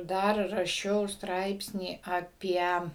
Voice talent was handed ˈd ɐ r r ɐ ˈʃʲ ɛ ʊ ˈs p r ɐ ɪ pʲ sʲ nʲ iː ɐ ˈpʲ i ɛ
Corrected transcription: ˈd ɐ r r ɐ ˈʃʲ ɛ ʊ ˈs t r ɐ ɪ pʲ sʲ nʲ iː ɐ ˈpʲ i ɛ